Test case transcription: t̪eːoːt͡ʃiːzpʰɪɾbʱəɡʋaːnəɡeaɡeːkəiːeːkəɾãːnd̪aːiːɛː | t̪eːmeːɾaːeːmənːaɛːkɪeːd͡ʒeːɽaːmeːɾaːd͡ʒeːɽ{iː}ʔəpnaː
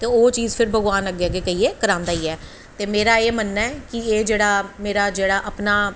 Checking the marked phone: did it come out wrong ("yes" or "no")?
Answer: yes